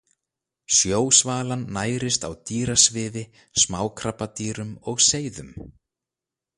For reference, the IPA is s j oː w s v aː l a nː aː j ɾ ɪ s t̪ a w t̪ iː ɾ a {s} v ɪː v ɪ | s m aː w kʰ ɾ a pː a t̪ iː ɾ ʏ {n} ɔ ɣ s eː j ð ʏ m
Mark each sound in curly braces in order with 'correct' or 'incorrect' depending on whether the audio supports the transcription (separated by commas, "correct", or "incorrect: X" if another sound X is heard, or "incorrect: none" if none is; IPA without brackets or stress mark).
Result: correct, incorrect: m